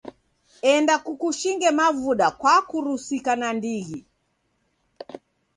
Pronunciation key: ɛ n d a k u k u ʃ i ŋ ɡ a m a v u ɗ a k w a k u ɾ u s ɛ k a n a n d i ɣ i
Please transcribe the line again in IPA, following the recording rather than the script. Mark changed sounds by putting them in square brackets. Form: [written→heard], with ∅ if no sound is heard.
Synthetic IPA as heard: ɛ n d a k u k u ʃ i ŋ ɡ [a→ɛ] m a v u ɗ a k w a k u ɾ u s [ɛ→i] k a n a n d i ɣ i

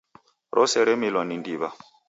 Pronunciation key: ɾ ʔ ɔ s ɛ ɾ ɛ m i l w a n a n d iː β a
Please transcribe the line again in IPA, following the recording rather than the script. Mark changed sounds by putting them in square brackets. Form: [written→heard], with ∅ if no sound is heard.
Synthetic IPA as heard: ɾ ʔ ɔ s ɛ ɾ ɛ m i l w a n [a→i] n d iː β a

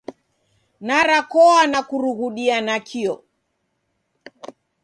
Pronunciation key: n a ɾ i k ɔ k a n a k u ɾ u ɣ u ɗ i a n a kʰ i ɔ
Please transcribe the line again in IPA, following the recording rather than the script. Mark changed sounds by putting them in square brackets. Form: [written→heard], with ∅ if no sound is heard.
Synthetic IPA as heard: n a ɾ [i→a] k ɔ [k→∅] a n a k u ɾ u ɣ u ɗ i a n a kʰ i ɔ

